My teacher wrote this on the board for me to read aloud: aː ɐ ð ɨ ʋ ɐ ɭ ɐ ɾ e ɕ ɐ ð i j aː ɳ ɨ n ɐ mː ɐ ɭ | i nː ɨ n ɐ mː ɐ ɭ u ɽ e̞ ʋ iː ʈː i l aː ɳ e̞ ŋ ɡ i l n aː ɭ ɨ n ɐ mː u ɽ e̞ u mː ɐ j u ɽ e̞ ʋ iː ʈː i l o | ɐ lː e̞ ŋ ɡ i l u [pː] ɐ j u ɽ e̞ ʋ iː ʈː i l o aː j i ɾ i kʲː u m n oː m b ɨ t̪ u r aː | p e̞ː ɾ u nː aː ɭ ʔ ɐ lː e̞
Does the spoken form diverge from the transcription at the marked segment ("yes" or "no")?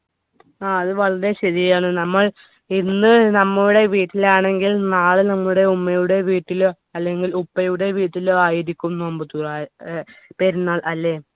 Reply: no